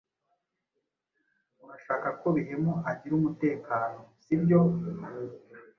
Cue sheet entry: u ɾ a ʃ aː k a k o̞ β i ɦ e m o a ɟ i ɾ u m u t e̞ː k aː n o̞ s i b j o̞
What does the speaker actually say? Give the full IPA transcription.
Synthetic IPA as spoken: u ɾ a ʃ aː k a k o̞ β i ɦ e m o a ɟ i ɾ u m u t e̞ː k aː n o̞ s i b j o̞